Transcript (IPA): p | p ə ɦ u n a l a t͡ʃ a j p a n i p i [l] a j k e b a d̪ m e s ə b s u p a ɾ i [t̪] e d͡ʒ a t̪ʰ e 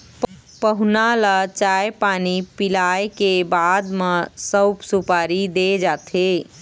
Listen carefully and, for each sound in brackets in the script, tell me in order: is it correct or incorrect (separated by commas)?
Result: correct, incorrect